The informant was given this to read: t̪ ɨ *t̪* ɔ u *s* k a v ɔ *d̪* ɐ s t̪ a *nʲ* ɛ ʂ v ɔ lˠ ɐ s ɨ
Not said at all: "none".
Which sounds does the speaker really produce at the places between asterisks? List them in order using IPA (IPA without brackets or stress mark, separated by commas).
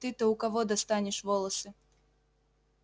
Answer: t̪, none, d̪, nʲ